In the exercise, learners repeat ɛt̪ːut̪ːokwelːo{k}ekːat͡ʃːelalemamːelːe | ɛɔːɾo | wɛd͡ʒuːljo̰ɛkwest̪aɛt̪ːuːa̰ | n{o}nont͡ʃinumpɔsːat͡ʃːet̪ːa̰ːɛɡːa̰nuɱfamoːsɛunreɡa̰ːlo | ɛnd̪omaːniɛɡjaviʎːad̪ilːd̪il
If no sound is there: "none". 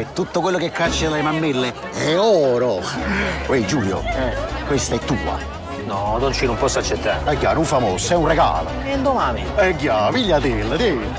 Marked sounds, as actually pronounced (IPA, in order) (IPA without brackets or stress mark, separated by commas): k, ɔ